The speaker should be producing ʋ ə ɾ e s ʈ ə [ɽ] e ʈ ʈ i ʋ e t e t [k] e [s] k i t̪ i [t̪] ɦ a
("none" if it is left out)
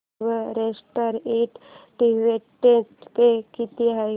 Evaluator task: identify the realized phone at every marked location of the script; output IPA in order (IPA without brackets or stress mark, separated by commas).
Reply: ɾ, p, none, none